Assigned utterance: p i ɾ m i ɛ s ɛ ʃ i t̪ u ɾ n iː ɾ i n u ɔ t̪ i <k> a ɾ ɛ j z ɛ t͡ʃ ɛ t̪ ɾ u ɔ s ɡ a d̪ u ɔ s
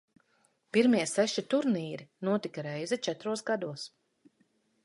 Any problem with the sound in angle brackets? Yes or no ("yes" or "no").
no